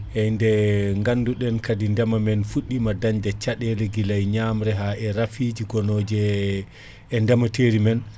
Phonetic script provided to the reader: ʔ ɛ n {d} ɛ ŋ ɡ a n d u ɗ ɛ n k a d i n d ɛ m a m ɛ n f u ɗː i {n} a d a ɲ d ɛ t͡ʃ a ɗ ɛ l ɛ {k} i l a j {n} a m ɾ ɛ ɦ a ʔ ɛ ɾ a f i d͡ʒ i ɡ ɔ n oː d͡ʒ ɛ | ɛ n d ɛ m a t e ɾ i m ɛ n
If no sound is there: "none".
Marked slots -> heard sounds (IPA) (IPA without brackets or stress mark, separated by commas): d, m, ɡ, ɲ